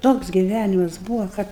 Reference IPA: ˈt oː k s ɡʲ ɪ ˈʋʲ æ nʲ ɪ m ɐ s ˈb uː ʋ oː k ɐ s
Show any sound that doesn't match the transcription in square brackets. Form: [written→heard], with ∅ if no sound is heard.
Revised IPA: ˈt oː k s ɡʲ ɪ ˈʋʲ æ nʲ ɪ m ɐ s ˈb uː ʋ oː k ɐ [s→t]